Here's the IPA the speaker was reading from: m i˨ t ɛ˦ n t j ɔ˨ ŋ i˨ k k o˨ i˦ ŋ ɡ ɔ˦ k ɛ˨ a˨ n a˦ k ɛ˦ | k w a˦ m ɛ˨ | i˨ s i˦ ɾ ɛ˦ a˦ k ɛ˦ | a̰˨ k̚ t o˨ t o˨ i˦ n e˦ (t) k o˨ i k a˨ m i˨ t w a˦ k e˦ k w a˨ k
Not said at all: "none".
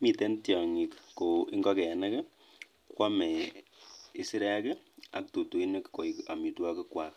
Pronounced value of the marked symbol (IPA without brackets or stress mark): k